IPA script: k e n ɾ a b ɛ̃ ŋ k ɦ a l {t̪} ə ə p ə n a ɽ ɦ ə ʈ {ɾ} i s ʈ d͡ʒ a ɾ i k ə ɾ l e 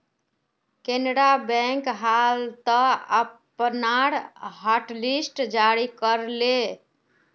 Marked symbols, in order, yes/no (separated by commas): yes, no